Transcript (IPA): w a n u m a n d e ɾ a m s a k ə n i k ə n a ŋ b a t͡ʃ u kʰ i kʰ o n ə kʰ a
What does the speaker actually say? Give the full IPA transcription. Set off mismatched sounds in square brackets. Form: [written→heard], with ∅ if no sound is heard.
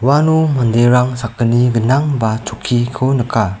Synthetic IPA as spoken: w a n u m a n d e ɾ a [m→ŋ] s a k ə n i [k→ɡ] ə n a ŋ b a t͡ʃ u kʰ i kʰ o n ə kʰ a

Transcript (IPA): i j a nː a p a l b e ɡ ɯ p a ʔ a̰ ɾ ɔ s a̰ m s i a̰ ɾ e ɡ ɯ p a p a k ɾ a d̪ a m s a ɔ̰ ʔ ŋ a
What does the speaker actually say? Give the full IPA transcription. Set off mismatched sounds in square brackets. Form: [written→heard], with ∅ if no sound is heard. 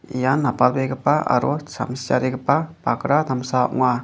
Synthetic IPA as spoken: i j a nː a p a l b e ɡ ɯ p a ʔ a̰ ɾ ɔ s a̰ m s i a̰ ɾ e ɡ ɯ p a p a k ɾ a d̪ a m s a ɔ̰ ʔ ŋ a

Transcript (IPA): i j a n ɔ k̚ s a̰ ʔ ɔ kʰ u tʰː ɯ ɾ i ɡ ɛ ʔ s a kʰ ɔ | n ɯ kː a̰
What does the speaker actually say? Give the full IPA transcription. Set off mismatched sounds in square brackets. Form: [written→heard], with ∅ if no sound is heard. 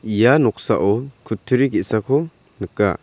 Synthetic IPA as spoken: i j a n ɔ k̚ s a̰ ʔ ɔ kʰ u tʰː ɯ ɾ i ɡ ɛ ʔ s a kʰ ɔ | n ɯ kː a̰

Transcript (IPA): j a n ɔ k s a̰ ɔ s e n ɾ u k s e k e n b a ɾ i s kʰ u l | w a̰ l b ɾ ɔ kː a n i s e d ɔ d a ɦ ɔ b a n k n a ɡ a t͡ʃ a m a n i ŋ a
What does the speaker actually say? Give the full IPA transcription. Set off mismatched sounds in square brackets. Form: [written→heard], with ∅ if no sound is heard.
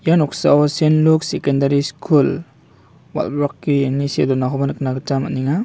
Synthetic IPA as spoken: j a n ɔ k s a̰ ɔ s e n [ɾ→l] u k s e k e n [b→d] a ɾ i s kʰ u l | w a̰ l b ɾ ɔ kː [a→i] n i s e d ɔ [d→n] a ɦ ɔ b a n k n a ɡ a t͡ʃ a m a n i ŋ a

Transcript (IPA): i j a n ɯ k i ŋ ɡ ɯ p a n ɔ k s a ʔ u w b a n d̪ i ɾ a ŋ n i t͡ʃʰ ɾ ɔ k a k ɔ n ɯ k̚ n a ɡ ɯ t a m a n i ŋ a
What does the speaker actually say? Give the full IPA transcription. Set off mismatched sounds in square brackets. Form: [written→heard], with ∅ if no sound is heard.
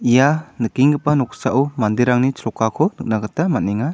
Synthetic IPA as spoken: i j a n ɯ k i ŋ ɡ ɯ p a n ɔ k s a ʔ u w [b→m] a n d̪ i ɾ a ŋ n i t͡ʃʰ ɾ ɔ k a [k→kʰ] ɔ n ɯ k̚ n a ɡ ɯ t a m a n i ŋ a

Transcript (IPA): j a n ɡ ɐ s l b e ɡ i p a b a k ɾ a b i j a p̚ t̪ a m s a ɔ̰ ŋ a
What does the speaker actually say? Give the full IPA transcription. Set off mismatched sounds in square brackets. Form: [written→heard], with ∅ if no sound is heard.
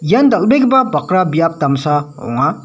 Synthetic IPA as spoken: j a n [ɡ→d] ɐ [s→∅] l b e ɡ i [p→b] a b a k ɾ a b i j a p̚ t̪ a m s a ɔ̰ ŋ a

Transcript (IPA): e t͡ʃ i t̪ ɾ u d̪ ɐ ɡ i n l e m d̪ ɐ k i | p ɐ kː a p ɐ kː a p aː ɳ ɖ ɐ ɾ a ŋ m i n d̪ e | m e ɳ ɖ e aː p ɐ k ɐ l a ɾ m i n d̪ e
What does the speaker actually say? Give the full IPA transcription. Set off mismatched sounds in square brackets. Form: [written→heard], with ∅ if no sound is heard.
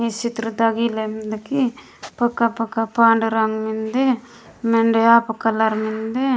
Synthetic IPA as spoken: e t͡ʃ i t̪ ɾ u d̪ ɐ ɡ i [n→∅] l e m d̪ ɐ k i | p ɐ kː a p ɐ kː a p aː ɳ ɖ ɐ ɾ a ŋ m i n d̪ e | m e ɳ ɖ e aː p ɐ k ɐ l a ɾ m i n d̪ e

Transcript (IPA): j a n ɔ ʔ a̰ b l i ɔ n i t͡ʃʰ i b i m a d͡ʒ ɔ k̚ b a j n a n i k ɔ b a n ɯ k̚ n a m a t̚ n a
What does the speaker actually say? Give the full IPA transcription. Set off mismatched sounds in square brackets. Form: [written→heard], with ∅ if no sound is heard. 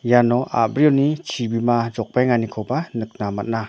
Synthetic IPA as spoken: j a n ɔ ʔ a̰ b [l→ɾ] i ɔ n i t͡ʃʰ i b i m a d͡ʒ ɔ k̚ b a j [n→ŋ] a n i [k→kʰ] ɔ b a n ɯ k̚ n a m a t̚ n a

